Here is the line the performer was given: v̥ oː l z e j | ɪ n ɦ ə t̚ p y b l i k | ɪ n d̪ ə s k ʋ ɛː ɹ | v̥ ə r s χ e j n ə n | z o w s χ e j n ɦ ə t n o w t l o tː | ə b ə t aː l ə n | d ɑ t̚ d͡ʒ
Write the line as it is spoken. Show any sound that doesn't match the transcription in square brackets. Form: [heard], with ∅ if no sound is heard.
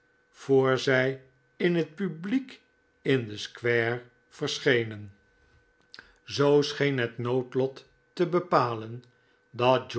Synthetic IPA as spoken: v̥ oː [ɹ] z [ɛ] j | ɪ n ɦ ə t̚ p y b l i k | ɪ n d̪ ə s k ʋ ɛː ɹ | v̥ ə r s χ e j n ə n | z o w s χ e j n ɦ ə t n o w t l [ɔ] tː | ə b ə [p] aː l ə n | d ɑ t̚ d͡ʒ